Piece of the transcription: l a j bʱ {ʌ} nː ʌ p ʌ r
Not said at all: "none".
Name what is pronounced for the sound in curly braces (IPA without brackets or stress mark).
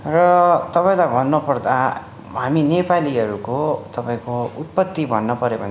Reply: ʌ